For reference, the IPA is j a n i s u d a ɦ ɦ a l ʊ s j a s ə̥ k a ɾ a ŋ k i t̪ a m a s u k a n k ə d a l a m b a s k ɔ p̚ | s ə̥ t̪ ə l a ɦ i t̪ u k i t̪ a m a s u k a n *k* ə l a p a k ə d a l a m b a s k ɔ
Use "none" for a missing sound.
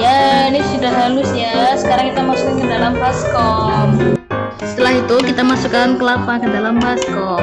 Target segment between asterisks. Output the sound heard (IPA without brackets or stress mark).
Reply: k